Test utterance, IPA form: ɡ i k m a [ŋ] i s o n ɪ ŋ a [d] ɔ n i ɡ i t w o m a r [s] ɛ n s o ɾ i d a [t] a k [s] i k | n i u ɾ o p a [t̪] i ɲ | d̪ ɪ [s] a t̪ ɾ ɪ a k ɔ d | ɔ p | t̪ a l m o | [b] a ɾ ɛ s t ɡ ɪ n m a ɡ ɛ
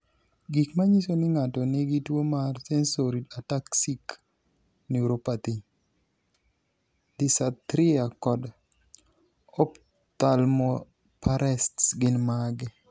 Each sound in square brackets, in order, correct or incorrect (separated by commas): incorrect, incorrect, correct, correct, correct, correct, correct, incorrect